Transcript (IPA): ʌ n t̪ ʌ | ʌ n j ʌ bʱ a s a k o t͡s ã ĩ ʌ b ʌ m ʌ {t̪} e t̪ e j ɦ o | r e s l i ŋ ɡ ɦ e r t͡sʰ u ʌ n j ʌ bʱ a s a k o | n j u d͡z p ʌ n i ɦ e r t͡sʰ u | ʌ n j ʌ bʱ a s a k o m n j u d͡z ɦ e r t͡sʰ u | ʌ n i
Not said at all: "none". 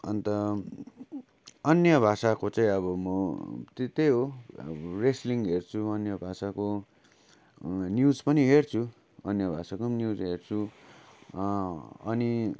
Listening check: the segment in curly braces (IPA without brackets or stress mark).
t̪